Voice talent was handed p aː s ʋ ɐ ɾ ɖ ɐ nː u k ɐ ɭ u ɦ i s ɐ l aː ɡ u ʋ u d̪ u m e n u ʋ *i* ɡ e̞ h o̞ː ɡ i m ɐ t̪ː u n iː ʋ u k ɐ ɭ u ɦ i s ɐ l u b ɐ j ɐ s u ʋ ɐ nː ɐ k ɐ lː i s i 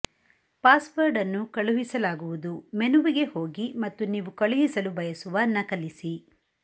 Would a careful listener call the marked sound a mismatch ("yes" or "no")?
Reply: no